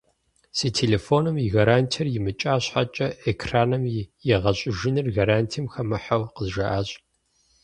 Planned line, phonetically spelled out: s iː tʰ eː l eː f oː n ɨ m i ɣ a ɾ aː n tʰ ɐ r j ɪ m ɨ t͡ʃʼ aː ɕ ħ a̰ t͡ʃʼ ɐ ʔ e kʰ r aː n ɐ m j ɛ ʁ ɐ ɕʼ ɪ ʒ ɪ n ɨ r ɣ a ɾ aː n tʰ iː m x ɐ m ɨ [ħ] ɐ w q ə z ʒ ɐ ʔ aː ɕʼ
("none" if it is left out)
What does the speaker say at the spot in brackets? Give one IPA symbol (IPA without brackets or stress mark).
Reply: ħ